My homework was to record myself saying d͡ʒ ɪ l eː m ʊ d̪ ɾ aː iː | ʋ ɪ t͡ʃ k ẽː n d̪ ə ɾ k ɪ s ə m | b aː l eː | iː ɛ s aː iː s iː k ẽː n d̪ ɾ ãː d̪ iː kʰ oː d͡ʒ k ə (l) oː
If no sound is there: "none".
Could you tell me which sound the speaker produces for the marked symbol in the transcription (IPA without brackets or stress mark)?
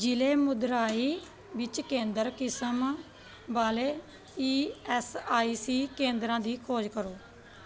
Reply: ɾ